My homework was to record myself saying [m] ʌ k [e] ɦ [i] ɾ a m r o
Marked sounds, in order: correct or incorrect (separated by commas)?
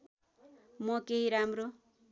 correct, correct, correct